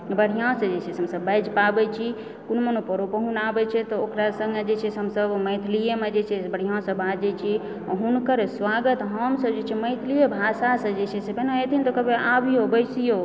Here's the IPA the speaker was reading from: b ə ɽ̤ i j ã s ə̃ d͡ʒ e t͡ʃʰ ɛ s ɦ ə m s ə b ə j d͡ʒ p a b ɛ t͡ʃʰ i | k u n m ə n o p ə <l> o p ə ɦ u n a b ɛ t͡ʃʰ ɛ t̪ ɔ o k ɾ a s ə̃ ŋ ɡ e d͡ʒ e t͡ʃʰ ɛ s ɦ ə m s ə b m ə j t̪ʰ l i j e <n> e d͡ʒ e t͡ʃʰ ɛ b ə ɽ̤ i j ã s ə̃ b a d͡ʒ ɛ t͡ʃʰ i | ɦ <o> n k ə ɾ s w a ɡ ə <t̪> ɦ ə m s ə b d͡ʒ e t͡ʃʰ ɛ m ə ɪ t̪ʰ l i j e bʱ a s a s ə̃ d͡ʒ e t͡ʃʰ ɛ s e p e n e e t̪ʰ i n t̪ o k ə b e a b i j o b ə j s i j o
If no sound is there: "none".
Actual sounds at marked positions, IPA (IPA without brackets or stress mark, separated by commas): ɾ, m, u, t̪